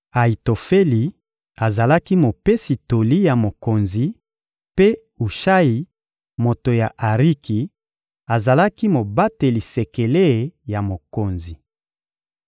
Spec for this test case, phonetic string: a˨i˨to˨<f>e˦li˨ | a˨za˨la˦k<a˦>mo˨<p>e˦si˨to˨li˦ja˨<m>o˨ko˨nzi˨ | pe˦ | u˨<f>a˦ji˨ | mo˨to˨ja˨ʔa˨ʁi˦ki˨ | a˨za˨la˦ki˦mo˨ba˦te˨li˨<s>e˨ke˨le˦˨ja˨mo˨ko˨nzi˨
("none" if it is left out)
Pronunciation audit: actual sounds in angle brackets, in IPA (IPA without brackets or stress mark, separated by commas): f, i˦, p, m, ʃ, s